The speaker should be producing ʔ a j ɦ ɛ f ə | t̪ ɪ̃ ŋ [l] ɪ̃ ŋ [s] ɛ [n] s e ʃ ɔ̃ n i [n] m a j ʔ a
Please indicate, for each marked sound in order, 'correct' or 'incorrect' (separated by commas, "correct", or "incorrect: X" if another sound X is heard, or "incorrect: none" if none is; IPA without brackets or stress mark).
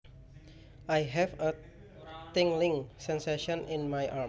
correct, correct, correct, correct